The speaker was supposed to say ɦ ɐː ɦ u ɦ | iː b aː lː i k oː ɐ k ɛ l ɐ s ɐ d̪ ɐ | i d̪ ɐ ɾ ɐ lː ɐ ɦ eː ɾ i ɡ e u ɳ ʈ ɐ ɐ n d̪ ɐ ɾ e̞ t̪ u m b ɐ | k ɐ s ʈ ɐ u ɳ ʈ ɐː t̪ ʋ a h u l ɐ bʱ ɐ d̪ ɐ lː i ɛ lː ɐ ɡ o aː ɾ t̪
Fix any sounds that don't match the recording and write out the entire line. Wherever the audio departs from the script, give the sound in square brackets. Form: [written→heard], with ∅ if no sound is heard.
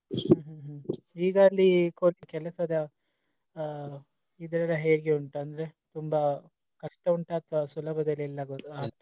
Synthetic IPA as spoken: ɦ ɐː ɦ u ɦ | iː [b→ɡ] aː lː i k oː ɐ k ɛ l ɐ s ɐ d̪ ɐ | i d̪ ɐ ɾ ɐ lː ɐ ɦ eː ɾ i ɡ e u ɳ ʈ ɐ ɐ n d̪ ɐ ɾ e̞ t̪ u m b ɐ | k ɐ [s→ʂ] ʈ ɐ u ɳ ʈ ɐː t̪ ʋ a [h→s] u l ɐ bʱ ɐ d̪ ɐ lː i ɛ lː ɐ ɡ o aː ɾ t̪